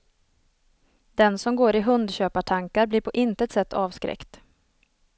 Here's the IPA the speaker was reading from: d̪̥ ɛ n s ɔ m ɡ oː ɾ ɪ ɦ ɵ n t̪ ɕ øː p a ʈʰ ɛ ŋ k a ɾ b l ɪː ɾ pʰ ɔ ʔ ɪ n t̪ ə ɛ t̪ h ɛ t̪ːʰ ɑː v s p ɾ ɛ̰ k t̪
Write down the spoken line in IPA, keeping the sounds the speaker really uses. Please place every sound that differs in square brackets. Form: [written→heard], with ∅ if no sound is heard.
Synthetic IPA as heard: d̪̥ ɛ n s ɔ m ɡ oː ɾ ɪ ɦ ɵ n [t̪→d̪] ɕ øː p a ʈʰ [ɛ→a] ŋ k a ɾ b l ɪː ɾ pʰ ɔ ʔ ɪ n t̪ ə ɛ t̪ [h→s] ɛ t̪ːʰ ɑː v s [p→k] ɾ ɛ̰ k t̪